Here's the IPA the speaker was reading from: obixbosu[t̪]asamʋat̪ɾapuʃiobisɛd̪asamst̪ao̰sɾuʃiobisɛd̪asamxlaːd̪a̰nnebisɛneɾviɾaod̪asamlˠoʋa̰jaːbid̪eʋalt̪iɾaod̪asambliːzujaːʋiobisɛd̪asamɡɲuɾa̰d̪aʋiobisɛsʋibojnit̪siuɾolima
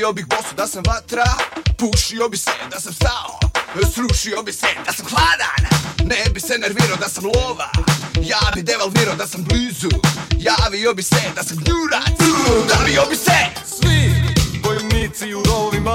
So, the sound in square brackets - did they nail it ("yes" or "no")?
no